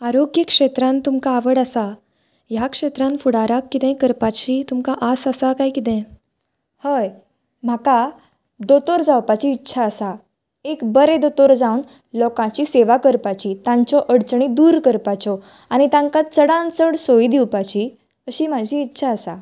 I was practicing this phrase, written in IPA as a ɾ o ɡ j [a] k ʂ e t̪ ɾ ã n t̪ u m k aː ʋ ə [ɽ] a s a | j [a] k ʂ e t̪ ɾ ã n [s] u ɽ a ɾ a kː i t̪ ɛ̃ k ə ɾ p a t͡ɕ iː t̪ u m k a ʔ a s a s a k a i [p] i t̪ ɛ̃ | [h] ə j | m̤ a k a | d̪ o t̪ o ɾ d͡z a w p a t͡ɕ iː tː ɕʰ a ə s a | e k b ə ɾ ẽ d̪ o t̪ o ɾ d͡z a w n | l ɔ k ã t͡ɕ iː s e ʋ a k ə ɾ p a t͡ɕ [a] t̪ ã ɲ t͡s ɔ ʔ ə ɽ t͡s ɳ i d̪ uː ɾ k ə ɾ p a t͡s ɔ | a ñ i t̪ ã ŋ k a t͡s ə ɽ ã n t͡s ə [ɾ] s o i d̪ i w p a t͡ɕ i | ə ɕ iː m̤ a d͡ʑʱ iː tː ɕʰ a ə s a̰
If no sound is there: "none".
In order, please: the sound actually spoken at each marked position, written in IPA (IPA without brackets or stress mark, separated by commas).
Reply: ə, ɽ, a, f, k, h, i, ɽ